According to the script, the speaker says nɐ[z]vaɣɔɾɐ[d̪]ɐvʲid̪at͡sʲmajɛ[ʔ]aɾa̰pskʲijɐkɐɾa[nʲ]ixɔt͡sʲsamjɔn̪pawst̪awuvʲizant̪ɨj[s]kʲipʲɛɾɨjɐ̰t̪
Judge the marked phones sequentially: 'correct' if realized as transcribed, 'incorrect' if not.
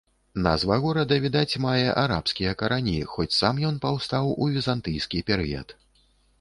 correct, correct, correct, correct, correct

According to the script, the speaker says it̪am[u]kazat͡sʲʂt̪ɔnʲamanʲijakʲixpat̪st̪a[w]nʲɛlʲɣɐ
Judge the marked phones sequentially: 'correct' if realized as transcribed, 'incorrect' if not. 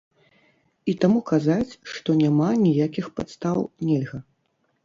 correct, correct

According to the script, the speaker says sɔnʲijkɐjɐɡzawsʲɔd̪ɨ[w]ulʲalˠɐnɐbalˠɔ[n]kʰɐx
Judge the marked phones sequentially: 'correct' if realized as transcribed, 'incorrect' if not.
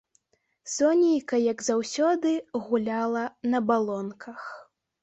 incorrect: ɣ, correct

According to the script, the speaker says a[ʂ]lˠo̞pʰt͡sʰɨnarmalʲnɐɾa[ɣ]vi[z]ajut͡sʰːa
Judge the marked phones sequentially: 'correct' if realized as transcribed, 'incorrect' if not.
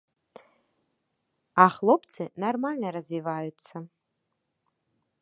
incorrect: χ, incorrect: z, incorrect: v

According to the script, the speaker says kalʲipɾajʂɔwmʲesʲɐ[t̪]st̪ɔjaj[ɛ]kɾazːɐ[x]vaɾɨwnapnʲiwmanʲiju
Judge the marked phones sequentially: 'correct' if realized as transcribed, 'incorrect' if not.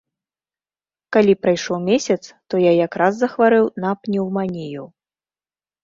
correct, incorrect: a, correct

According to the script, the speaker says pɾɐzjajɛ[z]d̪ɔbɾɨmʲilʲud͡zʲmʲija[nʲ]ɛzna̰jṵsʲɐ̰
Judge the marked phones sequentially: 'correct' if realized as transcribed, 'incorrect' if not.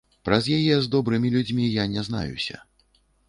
correct, correct

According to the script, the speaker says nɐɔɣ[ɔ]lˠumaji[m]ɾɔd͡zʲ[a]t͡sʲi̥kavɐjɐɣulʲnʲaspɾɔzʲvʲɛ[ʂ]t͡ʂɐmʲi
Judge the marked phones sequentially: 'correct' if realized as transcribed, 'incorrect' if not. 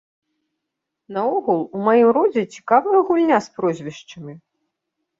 incorrect: u, correct, incorrect: ɛ, correct

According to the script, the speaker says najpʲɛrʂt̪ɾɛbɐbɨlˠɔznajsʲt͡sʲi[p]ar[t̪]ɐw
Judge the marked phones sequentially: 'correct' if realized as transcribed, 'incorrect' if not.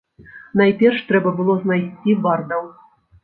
incorrect: b, incorrect: d̪

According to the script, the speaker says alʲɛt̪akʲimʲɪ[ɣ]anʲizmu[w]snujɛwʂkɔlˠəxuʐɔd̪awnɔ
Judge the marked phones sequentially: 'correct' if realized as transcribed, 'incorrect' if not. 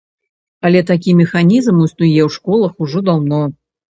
incorrect: x, incorrect: none

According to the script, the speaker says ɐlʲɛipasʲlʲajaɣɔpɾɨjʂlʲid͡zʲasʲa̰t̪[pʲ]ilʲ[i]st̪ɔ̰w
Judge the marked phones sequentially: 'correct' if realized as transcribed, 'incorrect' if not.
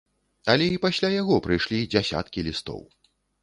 incorrect: kʲ, correct

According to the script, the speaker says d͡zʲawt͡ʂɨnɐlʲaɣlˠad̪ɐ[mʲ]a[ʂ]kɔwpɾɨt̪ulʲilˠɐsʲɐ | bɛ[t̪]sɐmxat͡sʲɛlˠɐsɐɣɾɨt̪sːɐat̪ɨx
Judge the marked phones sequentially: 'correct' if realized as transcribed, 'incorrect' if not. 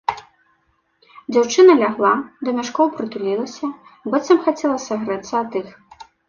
correct, correct, correct

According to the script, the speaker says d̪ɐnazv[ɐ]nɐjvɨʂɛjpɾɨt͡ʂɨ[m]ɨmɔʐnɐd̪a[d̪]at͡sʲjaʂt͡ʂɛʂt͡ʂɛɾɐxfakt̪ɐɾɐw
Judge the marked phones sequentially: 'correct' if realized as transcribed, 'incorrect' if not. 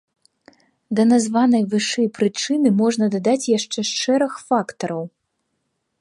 incorrect: a, incorrect: n, correct

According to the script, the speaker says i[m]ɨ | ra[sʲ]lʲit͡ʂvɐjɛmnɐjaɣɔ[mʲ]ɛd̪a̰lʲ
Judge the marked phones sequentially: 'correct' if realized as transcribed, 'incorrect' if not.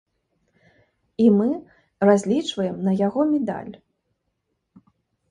correct, incorrect: zʲ, correct

